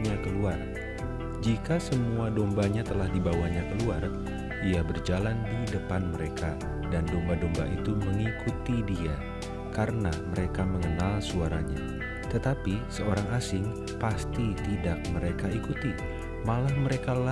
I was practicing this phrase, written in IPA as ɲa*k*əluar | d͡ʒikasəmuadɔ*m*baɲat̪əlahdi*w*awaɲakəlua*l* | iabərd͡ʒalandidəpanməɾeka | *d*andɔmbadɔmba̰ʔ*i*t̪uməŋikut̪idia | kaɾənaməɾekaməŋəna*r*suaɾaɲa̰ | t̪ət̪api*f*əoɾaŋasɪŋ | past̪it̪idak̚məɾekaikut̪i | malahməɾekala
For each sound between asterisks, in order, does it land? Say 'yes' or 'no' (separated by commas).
yes, yes, no, no, yes, yes, no, no